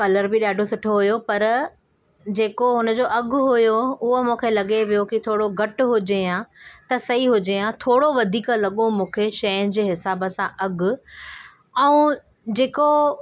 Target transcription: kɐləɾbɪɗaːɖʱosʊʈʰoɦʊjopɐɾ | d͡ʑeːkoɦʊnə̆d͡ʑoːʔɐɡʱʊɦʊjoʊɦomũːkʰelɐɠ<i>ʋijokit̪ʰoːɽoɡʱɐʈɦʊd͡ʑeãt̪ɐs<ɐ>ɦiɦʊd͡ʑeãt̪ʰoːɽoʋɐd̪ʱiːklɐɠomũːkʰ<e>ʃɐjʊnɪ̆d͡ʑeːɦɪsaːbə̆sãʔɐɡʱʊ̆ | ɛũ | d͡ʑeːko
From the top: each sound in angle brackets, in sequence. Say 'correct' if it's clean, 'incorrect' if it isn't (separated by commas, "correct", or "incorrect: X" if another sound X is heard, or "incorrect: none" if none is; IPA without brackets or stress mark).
incorrect: e, correct, correct